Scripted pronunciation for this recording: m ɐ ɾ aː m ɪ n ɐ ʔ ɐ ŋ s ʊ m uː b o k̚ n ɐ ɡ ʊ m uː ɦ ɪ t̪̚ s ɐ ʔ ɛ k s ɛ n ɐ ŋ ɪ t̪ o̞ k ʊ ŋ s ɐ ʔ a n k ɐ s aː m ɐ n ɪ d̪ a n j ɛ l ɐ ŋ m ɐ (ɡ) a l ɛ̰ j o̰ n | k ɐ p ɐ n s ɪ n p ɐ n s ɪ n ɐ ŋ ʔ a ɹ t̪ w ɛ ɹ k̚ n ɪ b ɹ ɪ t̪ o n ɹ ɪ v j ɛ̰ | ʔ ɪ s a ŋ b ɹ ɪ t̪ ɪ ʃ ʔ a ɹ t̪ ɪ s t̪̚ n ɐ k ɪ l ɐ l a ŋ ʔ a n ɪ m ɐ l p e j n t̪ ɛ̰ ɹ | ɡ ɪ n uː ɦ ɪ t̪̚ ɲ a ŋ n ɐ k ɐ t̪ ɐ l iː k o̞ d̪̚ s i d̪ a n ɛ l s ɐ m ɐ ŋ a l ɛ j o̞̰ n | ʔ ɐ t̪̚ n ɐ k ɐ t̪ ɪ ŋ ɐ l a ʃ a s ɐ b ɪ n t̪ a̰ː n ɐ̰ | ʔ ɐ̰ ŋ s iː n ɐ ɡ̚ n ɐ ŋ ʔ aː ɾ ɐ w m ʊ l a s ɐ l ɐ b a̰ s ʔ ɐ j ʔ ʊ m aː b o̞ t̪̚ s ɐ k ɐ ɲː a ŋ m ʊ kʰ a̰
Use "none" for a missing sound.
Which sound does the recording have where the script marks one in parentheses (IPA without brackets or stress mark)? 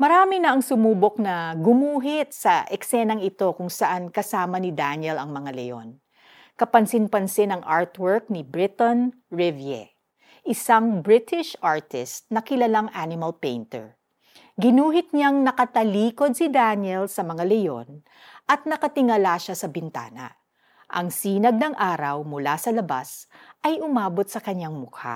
ŋ